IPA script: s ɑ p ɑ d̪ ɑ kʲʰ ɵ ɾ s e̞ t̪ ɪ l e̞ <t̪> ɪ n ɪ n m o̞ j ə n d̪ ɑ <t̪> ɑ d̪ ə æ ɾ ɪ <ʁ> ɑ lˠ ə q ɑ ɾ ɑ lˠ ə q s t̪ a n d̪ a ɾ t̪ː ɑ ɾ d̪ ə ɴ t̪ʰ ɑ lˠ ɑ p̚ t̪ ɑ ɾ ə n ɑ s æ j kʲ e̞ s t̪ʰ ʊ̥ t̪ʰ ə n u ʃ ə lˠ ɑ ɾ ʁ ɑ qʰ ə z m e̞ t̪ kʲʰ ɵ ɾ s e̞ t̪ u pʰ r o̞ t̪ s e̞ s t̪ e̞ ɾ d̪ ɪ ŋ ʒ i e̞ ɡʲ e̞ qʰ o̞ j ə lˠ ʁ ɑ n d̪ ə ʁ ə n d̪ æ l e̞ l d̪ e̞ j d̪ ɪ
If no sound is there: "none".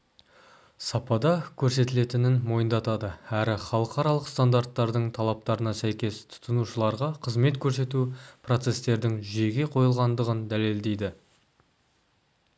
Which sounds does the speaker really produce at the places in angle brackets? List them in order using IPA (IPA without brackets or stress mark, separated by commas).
t̪, t̪, χ